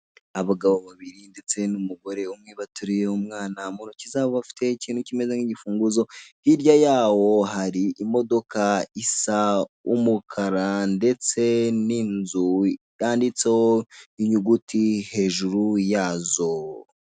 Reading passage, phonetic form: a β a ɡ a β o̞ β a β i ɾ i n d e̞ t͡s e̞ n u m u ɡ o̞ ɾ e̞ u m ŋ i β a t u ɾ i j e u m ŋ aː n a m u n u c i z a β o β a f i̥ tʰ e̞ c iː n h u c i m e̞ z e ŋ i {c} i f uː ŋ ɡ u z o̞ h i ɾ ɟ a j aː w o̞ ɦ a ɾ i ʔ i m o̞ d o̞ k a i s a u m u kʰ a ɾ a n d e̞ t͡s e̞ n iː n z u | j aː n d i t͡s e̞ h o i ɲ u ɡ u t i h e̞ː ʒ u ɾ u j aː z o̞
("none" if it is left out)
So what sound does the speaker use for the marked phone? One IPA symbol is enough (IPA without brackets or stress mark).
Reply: ɟ